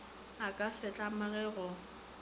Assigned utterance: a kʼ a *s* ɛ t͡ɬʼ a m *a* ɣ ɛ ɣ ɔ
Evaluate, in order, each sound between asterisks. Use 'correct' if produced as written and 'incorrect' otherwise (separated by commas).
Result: correct, correct